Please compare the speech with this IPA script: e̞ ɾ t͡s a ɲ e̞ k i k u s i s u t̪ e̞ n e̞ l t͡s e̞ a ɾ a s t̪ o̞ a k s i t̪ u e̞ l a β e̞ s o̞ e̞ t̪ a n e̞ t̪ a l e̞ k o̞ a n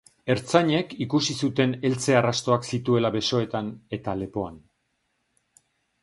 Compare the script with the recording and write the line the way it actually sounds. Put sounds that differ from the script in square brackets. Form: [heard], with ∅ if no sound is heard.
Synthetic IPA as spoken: e̞ ɾ t͡s a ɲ e̞ k i k u s i s u t̪ e̞ n e̞ l t͡s e̞ a [r] a s t̪ o̞ a k s i t̪ u e̞ l a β e̞ s o̞ e̞ t̪ a n e̞ t̪ a l e̞ [p] o̞ a n